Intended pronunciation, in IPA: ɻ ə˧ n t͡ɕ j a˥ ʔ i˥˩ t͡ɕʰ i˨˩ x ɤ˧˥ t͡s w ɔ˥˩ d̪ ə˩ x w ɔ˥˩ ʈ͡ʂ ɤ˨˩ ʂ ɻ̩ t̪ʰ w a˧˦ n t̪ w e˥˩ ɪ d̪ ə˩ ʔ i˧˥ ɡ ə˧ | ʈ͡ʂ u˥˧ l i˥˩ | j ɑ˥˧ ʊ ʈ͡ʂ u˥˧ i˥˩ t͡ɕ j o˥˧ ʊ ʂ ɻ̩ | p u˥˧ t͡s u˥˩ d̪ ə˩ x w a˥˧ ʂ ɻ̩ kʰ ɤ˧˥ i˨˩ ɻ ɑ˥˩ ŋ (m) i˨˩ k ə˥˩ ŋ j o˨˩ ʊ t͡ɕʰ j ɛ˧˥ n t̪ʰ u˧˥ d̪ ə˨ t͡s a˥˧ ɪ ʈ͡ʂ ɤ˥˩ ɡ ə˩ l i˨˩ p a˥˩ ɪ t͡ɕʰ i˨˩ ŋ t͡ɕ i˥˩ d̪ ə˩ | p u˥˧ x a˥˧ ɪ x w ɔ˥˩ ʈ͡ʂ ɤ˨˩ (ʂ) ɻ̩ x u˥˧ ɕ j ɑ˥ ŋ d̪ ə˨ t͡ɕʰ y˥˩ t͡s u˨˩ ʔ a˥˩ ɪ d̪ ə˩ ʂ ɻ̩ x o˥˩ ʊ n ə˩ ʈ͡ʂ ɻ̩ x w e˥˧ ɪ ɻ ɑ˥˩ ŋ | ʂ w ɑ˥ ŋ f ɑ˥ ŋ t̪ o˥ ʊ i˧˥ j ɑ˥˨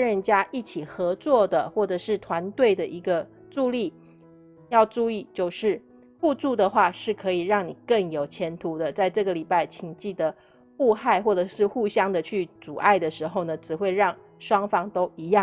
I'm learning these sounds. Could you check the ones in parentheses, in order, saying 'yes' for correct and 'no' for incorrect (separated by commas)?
no, yes